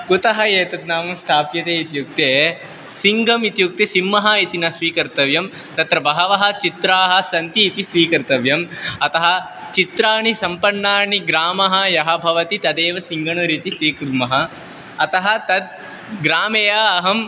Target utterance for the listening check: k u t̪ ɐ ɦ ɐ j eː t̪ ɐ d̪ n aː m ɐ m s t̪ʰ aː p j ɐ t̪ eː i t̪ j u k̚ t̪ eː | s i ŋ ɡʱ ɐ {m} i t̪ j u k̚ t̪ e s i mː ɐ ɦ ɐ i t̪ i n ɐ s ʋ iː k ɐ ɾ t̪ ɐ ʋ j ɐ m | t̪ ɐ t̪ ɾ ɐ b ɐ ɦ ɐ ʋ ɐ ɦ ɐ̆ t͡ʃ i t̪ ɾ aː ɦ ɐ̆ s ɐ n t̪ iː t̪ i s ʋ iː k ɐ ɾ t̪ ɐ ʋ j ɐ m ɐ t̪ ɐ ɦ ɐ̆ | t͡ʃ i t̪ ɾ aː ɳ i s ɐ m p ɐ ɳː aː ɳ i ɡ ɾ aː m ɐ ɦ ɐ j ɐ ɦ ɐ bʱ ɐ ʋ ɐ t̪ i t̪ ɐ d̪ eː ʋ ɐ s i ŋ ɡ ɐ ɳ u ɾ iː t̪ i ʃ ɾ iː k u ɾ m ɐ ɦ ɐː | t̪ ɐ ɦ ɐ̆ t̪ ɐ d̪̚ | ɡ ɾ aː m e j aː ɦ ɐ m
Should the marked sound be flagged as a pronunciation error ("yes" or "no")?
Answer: no